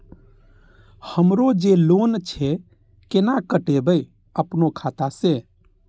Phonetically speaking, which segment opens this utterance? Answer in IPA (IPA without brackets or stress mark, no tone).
h